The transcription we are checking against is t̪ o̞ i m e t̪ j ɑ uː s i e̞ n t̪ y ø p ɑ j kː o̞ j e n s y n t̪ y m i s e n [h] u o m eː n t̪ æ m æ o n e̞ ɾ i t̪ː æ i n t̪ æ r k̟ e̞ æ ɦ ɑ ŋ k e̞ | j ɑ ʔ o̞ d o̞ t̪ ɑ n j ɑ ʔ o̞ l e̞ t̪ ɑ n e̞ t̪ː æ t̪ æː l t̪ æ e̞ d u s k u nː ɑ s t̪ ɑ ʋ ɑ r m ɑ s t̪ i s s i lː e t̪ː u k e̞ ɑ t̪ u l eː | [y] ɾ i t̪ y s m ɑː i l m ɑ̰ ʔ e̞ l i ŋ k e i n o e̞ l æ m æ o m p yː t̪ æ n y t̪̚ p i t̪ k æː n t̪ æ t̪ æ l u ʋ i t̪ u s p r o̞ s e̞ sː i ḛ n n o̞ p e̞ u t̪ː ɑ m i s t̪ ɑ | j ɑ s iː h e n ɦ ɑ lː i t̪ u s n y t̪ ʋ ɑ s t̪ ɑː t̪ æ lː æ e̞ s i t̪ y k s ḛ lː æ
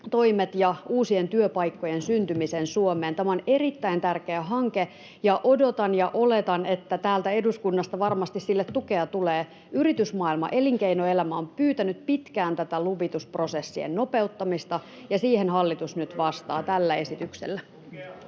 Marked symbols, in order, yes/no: no, yes

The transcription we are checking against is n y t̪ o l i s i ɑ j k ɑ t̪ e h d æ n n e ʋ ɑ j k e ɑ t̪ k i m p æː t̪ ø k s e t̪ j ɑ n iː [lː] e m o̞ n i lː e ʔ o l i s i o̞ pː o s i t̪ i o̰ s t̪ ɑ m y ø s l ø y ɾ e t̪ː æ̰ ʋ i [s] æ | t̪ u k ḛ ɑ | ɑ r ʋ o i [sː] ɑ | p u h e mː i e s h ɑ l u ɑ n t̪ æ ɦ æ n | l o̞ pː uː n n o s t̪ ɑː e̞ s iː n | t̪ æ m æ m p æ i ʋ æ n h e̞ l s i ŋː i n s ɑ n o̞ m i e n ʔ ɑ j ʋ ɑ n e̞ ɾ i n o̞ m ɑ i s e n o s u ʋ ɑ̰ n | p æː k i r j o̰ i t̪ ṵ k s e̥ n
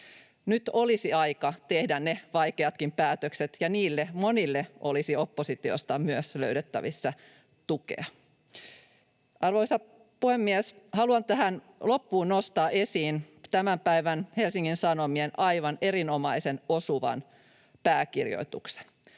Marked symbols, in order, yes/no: yes, no, no

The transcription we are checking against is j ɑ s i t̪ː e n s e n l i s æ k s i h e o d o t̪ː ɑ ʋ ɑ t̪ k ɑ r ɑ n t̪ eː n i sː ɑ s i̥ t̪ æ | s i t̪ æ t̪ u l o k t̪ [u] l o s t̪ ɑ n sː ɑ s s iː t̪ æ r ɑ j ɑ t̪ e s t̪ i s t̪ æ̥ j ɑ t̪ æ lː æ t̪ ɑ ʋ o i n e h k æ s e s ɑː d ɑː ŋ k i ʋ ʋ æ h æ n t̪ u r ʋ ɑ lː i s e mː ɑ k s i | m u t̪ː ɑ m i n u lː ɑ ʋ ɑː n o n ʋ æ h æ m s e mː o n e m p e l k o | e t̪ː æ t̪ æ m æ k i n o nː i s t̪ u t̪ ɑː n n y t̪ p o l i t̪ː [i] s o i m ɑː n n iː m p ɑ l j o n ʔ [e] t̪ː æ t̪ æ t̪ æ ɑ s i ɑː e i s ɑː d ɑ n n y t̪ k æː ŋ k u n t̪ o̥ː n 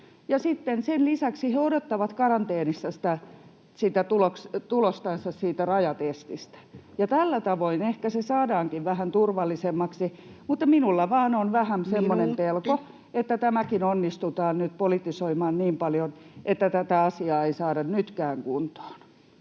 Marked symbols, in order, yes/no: yes, yes, yes

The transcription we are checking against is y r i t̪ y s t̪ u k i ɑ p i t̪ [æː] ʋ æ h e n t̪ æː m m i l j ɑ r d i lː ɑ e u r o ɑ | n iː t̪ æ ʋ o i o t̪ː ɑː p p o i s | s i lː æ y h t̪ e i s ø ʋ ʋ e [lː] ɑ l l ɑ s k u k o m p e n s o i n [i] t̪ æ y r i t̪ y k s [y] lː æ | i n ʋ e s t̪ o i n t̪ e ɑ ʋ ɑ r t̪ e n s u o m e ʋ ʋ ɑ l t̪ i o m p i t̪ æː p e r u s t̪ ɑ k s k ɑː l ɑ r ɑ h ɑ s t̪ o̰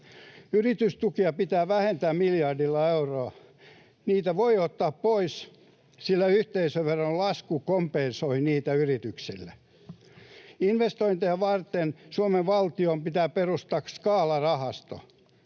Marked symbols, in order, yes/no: yes, no, no, no

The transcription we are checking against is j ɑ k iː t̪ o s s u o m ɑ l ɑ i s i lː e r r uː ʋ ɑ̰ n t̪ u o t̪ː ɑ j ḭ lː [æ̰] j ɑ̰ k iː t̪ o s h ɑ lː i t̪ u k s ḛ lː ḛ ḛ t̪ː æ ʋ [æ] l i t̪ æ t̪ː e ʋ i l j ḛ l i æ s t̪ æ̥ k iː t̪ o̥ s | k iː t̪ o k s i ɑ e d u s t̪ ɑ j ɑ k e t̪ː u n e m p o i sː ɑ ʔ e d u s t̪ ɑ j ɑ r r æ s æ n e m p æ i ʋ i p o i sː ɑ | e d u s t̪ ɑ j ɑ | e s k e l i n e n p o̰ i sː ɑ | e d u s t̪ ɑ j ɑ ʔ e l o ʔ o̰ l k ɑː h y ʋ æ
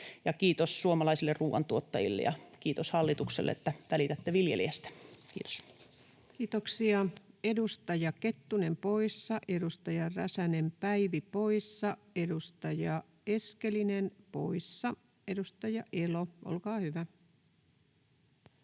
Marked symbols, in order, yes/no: no, yes

